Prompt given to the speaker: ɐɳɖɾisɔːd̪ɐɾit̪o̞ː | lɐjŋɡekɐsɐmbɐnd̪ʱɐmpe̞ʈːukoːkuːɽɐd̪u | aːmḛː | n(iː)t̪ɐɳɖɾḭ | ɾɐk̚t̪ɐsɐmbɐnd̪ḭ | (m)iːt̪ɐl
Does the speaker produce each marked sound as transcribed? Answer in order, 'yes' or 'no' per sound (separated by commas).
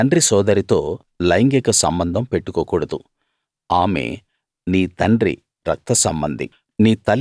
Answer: yes, no